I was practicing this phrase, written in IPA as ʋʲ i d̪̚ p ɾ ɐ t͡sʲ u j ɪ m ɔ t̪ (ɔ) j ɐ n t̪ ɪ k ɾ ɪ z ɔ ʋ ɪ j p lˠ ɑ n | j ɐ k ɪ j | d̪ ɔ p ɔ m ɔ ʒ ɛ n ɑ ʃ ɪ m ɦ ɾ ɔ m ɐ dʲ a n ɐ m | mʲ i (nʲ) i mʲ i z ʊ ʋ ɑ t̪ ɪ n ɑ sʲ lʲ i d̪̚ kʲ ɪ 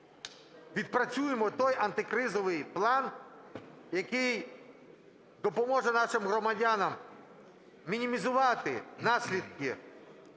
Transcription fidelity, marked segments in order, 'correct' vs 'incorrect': correct, correct

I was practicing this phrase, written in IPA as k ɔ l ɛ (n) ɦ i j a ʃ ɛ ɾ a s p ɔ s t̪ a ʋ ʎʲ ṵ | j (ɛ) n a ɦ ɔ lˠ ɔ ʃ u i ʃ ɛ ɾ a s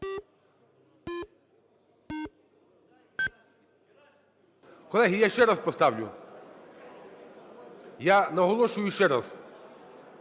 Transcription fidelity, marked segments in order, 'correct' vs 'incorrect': incorrect, incorrect

